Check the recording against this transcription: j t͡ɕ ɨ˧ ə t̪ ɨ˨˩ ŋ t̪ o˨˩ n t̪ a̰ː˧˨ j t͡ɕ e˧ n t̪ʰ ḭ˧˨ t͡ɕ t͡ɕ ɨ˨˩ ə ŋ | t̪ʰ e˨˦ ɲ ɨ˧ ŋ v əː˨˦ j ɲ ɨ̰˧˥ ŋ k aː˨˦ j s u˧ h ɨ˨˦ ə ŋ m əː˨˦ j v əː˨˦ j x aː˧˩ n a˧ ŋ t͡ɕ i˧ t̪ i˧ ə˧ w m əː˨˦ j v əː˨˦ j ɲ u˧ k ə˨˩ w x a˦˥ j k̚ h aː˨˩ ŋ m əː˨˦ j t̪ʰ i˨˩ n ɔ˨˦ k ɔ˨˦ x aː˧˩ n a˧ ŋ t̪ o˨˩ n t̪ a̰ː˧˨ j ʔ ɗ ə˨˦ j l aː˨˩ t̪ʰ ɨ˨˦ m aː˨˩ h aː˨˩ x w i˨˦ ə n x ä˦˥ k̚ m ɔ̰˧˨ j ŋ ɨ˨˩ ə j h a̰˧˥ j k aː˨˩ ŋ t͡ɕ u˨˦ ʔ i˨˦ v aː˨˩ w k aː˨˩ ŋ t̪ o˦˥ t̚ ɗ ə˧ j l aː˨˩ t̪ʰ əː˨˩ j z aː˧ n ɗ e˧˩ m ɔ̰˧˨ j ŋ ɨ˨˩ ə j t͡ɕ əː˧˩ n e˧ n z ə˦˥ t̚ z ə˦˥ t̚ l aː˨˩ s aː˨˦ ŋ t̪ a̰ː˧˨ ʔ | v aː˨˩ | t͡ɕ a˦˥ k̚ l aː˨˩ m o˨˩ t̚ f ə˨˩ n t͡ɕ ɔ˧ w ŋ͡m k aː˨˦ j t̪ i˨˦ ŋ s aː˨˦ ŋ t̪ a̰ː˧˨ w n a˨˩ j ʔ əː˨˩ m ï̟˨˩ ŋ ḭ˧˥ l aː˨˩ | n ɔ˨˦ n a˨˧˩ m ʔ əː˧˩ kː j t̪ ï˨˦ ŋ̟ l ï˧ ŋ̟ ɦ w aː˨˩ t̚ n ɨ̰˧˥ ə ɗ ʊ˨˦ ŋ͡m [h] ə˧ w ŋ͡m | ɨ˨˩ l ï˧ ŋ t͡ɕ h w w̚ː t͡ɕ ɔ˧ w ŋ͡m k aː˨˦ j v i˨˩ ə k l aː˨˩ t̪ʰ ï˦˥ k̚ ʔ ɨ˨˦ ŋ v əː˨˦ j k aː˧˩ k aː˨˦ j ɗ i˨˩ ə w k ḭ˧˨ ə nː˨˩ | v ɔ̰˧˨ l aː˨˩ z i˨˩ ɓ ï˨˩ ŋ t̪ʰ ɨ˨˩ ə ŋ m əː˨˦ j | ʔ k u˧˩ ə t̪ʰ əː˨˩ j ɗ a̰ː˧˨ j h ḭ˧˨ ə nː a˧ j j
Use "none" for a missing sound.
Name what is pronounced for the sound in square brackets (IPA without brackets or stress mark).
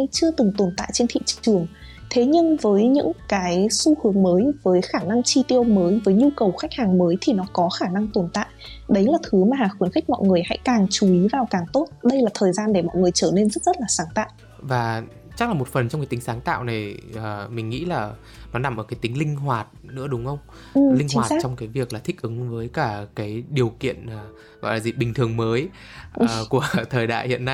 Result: x